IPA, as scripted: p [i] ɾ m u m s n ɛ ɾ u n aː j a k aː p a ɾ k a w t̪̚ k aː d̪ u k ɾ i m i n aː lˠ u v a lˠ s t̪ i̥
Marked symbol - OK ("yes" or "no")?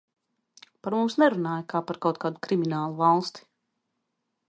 no